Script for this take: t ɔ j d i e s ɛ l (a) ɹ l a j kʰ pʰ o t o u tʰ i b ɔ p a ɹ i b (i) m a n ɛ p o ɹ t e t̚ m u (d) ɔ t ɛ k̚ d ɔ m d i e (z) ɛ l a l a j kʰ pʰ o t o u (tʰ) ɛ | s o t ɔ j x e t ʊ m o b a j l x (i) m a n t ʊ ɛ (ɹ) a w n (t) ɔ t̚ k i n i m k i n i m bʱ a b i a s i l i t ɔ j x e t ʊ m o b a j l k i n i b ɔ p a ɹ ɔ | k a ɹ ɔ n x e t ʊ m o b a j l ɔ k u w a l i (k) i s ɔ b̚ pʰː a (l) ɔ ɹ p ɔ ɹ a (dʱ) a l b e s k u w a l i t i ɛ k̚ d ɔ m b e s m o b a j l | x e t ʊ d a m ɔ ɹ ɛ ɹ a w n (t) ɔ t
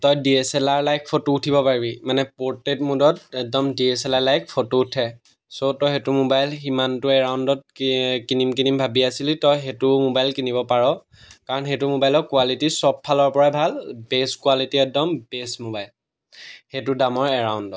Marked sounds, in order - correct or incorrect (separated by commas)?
correct, correct, correct, incorrect, correct, correct, correct, incorrect, incorrect, correct, incorrect, incorrect